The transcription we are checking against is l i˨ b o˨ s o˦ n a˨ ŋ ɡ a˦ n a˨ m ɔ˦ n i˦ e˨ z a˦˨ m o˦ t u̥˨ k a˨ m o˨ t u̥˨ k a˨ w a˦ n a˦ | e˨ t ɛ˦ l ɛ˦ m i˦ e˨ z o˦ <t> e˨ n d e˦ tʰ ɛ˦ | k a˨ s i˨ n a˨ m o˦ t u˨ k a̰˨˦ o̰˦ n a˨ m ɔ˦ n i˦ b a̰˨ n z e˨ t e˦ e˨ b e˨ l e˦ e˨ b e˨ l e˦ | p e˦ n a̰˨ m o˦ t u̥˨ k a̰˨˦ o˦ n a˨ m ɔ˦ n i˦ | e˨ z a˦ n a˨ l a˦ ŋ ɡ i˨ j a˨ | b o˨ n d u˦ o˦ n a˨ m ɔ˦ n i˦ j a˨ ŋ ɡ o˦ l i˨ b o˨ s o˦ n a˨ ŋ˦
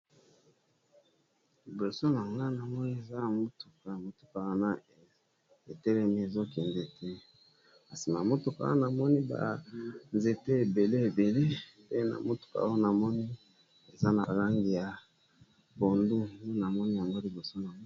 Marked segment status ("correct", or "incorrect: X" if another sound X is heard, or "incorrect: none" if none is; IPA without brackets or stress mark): incorrect: k